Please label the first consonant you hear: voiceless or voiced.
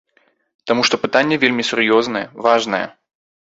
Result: voiceless